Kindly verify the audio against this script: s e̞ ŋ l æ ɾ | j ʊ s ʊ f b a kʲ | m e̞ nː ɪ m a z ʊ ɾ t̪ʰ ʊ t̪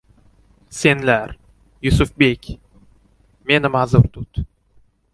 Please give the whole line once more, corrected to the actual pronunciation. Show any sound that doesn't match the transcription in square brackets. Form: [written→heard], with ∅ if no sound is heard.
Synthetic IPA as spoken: s e̞ [ŋ→n] l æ ɾ | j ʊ s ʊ f b [a→e] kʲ | m e̞ [nː→n] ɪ m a z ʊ ɾ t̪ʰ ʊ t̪